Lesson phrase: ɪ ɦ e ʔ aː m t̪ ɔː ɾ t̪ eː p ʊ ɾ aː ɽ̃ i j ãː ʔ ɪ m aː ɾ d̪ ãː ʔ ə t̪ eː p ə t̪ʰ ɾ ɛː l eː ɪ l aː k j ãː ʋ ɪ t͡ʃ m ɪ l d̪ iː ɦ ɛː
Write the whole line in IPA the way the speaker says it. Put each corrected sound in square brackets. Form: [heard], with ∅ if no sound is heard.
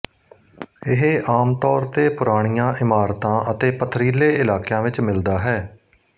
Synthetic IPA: ɪ ɦ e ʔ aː m t̪ ɔː ɾ t̪ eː p ʊ ɾ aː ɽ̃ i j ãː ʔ ɪ m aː ɾ [t̪] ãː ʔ ə t̪ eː p ə t̪ʰ ɾ [iː] l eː ɪ l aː k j ãː ʋ ɪ t͡ʃ m ɪ l d̪ [aː] ɦ ɛː